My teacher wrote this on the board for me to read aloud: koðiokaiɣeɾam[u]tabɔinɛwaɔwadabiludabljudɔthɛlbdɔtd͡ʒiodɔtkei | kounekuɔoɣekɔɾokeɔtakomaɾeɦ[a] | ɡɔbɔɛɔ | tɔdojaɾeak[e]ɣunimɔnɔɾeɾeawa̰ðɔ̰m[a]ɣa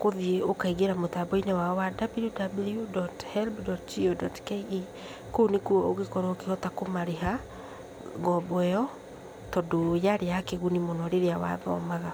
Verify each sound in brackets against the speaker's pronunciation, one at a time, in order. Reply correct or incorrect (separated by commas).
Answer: incorrect, correct, correct, correct